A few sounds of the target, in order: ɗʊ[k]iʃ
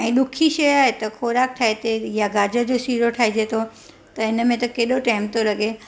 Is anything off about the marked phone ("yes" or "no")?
yes